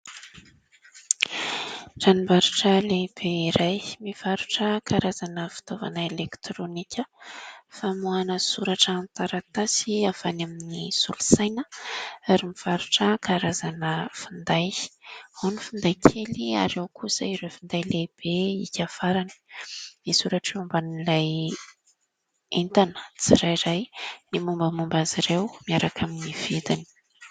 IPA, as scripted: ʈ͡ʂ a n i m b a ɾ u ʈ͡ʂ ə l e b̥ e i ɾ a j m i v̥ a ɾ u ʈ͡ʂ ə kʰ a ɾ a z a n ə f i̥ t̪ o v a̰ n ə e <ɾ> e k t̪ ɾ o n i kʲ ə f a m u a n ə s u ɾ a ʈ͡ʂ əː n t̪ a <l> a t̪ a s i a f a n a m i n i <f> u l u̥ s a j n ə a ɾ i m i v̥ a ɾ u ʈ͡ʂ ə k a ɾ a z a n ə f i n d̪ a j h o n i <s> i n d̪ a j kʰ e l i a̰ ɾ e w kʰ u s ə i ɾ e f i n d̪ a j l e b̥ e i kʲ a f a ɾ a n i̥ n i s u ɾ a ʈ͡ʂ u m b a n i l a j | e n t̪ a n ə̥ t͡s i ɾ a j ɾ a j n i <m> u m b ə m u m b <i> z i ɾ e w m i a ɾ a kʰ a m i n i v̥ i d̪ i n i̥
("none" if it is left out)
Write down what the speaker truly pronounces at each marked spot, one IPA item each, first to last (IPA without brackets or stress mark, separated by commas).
l, ɾ, s, f, m, a